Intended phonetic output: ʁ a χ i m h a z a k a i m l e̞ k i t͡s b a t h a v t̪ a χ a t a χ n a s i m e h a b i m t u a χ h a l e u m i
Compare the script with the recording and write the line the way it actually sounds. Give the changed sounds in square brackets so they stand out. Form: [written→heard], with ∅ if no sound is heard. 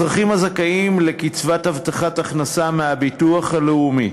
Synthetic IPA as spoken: ʁ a χ i m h a z a k a i m l e̞ k i t͡s [b→v] a t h a v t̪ a χ a t a χ n a s [i→a] m e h a b i [m→∅] t u a χ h a l e u m i